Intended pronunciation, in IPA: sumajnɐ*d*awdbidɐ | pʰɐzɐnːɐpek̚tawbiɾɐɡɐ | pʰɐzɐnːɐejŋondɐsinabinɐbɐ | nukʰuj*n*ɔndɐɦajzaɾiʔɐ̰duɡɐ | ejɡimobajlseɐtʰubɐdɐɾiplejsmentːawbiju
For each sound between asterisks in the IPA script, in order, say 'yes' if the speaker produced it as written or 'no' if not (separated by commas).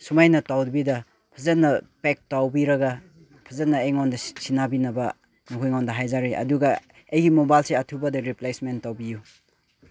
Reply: no, no